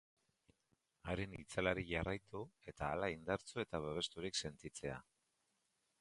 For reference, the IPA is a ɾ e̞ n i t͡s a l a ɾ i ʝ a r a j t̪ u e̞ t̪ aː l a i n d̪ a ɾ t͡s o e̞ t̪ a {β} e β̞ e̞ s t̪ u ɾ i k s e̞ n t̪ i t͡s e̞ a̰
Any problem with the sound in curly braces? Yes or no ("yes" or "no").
no